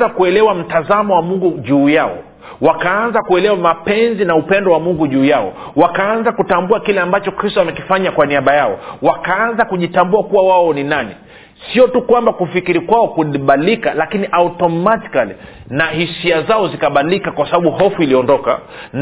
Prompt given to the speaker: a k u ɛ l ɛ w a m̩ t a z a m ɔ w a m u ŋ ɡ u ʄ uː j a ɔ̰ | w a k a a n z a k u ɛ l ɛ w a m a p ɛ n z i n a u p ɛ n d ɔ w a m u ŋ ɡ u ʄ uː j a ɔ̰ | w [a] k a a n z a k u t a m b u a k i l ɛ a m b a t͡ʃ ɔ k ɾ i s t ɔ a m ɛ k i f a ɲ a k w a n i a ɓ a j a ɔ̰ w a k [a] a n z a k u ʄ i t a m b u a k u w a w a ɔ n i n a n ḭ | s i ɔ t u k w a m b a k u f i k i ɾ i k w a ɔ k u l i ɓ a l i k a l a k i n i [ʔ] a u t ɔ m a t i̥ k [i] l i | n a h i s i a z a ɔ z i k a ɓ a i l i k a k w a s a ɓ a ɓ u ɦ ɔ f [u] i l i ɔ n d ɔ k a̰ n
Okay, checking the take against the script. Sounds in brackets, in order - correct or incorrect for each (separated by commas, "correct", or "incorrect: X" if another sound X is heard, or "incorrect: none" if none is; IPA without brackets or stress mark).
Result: correct, correct, correct, incorrect: a, correct